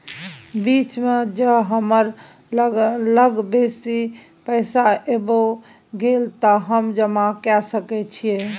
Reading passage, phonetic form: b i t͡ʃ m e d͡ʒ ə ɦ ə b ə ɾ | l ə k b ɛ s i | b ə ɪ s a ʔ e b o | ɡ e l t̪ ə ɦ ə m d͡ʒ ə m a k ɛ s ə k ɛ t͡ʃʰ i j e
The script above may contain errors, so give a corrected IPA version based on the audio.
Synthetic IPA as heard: b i t͡ʃ m e d͡ʒ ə ɦ ə m ə ɾ | l ə ɡ b e s i | p ə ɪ s a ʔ e b o | ɡ e l t̪ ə ɦ ə m d͡ʒ ə m a k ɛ s ə k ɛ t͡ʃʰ i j e